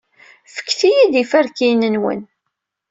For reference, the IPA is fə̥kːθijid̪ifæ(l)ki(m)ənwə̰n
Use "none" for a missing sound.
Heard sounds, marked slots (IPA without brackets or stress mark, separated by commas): ɾ, n